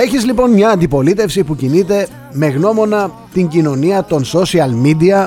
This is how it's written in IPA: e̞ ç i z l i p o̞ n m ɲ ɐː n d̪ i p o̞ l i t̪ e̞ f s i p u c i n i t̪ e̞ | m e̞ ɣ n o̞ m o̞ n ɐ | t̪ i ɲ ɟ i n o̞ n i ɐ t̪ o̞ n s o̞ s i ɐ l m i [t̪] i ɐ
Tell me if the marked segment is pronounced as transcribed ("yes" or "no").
no